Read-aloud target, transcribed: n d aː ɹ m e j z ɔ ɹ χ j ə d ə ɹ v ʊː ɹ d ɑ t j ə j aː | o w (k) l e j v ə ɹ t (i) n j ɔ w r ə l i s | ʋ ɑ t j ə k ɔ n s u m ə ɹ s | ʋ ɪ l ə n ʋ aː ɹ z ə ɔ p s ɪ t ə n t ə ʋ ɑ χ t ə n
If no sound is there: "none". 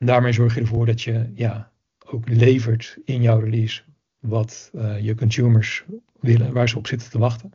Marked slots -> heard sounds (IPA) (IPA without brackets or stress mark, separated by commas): k, ɪ